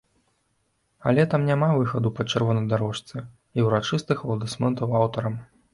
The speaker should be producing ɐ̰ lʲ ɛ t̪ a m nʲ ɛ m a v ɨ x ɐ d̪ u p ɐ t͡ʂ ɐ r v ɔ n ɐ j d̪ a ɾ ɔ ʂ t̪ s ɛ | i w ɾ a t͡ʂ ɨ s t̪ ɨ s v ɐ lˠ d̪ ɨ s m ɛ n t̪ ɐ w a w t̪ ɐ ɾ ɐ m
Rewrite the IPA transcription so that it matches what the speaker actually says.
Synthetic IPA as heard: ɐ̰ lʲ ɛ t̪ a m nʲ a m a v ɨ x ɐ d̪ u p ɐ t͡ʂ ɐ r v ɔ n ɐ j d̪ a ɾ ɔ ʂ t̪ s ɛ | i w ɾ a t͡ʂ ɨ s t̪ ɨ x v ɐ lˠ d̪ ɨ s m ɛ n t̪ ɐ w a w t̪ ɐ ɾ ɐ m